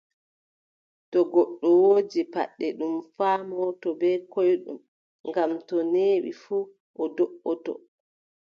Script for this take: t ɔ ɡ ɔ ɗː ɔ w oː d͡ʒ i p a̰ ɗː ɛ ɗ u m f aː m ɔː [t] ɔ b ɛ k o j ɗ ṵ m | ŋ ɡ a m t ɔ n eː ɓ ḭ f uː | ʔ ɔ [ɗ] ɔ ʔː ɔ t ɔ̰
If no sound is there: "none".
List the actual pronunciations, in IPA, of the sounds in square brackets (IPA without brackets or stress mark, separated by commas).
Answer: t, d